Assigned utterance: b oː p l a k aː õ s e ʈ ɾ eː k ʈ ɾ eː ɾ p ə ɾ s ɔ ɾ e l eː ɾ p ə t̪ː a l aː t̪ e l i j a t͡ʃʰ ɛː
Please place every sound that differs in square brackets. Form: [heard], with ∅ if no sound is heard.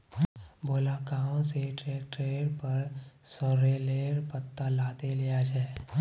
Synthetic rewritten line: b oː [∅] l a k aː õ s e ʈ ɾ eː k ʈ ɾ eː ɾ p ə ɾ s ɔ ɾ e l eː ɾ p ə t̪ː a l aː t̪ e l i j a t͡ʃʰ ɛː